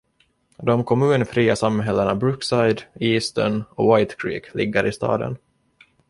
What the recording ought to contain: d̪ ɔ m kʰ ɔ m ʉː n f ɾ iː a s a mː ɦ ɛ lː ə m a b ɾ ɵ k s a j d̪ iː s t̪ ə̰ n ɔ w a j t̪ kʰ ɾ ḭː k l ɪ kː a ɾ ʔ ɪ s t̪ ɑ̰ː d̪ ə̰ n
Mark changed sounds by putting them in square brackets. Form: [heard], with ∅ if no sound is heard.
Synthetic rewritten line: d̪ ɔ m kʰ ɔ m ʉː n f ɾ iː a s a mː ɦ ɛ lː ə [ɳ] a b ɾ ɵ k s a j d̪ iː s t̪ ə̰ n ɔ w a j t̪ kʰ ɾ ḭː k l ɪ [ɡː] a ɾ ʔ ɪ s t̪ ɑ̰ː d̪ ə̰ n